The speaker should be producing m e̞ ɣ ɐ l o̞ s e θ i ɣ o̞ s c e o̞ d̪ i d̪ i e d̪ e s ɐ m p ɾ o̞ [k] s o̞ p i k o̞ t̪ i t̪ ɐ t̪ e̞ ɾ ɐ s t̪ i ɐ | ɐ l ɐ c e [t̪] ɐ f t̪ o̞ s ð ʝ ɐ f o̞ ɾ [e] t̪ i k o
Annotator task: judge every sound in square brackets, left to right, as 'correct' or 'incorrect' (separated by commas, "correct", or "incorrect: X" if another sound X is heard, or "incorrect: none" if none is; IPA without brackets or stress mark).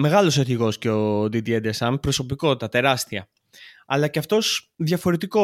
incorrect: none, incorrect: none, correct